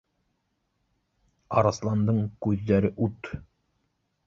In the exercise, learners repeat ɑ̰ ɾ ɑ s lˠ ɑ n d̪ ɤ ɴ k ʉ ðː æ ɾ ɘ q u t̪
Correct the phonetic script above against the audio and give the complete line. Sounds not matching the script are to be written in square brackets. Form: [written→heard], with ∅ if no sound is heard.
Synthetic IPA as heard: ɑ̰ ɾ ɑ s lˠ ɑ n d̪ ɤ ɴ k ʉ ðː æ ɾ ɘ [q→ʔ] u t̪